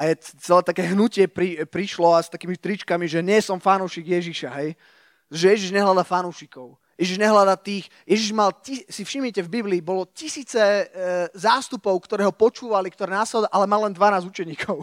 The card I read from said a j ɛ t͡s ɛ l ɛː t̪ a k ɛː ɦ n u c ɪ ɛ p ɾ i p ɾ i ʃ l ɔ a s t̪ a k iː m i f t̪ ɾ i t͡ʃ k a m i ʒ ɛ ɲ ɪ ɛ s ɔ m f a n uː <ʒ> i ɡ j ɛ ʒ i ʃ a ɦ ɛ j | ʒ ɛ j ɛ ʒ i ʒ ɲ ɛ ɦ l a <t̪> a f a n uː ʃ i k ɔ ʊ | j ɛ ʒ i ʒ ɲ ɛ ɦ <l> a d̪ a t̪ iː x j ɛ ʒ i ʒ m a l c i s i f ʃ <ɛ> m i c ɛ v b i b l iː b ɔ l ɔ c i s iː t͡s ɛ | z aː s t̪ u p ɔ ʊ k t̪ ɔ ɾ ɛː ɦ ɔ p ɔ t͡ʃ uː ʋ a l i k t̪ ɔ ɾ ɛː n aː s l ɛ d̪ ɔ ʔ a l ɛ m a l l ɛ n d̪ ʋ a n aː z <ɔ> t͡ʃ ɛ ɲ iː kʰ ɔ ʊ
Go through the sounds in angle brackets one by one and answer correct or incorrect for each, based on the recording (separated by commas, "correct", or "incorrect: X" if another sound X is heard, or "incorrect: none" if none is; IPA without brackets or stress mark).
incorrect: ʃ, incorrect: d̪, correct, incorrect: i, incorrect: u